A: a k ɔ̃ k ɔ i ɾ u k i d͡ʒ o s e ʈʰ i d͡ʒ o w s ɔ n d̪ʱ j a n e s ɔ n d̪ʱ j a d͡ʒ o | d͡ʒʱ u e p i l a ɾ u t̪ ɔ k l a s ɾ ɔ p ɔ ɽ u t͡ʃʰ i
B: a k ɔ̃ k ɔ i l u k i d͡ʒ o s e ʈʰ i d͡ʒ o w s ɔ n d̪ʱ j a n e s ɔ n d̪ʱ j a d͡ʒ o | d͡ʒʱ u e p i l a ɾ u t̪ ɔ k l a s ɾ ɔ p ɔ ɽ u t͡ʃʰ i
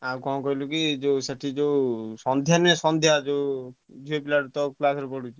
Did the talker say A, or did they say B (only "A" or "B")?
B